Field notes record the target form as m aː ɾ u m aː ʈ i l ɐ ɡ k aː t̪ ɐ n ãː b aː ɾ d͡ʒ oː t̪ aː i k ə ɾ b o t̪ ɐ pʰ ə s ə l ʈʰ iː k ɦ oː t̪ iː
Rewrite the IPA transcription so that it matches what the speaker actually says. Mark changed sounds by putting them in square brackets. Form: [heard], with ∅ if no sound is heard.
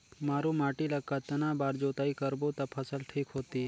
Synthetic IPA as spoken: m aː ɾ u m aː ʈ i l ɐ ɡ k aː t̪ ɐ n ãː b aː ɾ d͡ʒ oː t̪ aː i k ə ɾ b o t̪ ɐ pʰ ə s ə l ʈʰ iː k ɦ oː t̪ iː